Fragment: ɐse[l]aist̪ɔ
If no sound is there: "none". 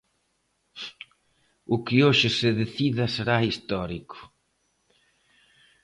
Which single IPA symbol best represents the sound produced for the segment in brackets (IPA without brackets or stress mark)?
ɾ